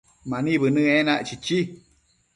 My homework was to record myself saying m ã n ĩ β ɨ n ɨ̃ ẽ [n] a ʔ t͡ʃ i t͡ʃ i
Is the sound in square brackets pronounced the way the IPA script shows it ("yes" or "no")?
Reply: yes